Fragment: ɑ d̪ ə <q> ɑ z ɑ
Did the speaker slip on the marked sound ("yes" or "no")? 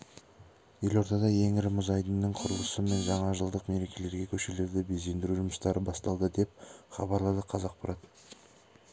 yes